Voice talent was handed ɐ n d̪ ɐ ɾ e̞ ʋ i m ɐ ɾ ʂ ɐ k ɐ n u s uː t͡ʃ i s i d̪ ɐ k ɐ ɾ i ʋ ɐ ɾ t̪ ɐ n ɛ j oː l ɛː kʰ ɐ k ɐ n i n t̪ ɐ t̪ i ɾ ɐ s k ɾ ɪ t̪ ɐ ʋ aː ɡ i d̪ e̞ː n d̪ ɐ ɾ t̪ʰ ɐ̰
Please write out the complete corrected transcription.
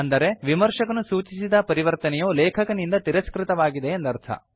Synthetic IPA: ɐ n d̪ ɐ ɾ e̞ ʋ i m ɐ ɾ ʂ ɐ k ɐ n u s uː t͡ʃ i s i d̪ ɐ p ɐ ɾ i ʋ ɐ ɾ t̪ ɐ n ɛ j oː l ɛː kʰ ɐ k ɐ n i n d̪ ɐ t̪ i ɾ ɐ s k ɾ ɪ t̪ ɐ ʋ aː ɡ i d̪ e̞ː n d̪ ɐ ɾ t̪ʰ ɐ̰

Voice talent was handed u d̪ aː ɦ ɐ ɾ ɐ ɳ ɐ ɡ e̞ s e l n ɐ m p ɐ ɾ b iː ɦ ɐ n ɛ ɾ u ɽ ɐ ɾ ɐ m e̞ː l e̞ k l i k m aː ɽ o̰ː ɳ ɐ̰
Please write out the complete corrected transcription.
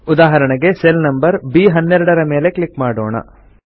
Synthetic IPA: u d̪ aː ɦ ɐ ɾ ɐ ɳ ɐ ɡ e̞ s e l n ɐ m b ɐ ɾ b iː ɦ ɐ nː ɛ ɾ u ɽ ɐ ɾ ɐ m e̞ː l e̞ k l i k m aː ɽ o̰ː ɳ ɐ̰

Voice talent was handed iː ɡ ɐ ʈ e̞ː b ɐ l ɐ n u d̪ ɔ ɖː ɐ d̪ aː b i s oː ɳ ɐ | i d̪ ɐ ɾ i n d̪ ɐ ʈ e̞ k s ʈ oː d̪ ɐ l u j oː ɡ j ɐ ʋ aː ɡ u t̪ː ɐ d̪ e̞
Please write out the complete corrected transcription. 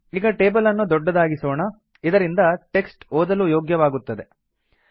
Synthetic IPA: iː ɡ ɐ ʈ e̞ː b ɐ l ɐ nː u d̪ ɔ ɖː ɐ d̪ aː ɡ i s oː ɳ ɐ | i d̪ ɐ ɾ i n d̪ ɐ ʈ e̞ k s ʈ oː d̪ ɐ l u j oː ɡ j ɐ ʋ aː ɡ u t̪ː ɐ d̪ e̞

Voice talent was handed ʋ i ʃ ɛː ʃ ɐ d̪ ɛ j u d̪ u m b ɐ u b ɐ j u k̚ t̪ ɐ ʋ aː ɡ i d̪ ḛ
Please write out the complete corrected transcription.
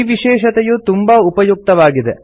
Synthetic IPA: ʋ i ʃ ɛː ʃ ɐ t̪ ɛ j u t̪ u m b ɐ u p ɐ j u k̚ t̪ ɐ ʋ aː ɡ i d̪ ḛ

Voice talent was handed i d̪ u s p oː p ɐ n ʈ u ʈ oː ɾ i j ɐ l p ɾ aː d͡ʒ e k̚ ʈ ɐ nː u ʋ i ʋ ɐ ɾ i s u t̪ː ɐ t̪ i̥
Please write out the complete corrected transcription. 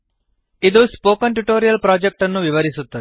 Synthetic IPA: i d̪ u s p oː k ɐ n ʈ u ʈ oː ɾ i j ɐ l p ɾ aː d͡ʒ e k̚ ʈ ɐ nː u ʋ i ʋ ɐ ɾ i s u t̪ː ɐ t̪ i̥

